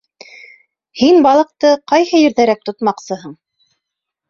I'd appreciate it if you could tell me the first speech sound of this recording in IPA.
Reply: h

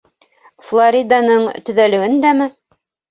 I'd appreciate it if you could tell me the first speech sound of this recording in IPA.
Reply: f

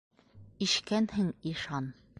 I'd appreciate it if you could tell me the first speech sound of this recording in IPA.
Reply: i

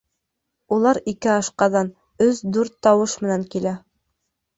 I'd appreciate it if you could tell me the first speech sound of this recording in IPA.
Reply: u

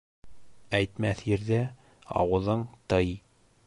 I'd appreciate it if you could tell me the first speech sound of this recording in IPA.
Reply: æ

